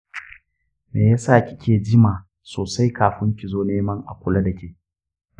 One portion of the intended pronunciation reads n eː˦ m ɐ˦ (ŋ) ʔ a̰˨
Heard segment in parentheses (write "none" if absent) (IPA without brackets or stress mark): ŋ